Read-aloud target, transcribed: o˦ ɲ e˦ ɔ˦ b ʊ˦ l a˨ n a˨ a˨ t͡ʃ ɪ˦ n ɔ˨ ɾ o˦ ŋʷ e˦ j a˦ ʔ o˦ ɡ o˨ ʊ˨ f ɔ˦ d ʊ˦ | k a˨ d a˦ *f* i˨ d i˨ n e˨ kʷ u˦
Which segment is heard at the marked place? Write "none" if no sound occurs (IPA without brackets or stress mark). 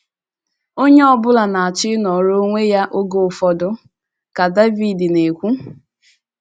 v